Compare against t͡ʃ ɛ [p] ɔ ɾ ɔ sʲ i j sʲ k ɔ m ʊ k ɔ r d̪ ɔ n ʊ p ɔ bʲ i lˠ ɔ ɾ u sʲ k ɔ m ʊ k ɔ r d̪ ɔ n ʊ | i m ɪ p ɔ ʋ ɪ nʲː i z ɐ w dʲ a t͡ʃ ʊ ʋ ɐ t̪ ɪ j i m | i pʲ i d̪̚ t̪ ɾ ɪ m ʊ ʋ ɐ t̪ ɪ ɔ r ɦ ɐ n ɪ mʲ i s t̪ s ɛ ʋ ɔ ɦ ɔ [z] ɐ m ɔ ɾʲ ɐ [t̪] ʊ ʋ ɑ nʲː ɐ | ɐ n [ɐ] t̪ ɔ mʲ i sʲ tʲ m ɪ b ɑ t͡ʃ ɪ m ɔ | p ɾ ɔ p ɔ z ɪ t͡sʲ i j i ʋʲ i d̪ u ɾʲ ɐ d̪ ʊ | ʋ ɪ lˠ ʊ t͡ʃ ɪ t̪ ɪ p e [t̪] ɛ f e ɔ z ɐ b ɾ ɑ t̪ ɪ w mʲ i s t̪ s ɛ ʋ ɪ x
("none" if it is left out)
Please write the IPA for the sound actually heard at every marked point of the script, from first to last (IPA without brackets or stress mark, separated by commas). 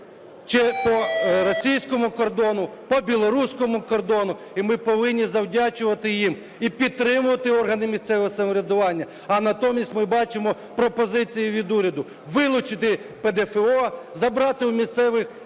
p, s, d̪, ɐ, d̪